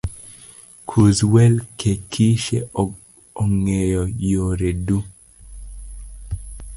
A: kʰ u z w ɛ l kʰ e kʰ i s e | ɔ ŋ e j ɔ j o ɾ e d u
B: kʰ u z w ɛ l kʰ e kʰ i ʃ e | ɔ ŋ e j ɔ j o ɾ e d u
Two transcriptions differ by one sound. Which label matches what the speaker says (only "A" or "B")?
B